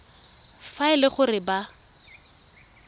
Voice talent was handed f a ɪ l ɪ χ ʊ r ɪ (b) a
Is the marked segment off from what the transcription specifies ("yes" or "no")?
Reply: no